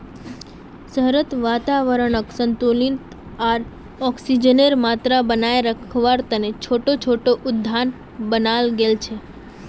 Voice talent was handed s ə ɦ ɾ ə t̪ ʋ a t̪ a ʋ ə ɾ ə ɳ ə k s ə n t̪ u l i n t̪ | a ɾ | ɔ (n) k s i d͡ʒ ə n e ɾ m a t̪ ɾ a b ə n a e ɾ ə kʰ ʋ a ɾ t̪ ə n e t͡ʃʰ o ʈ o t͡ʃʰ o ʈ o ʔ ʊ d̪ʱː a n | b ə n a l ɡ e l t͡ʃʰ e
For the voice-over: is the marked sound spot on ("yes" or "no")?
no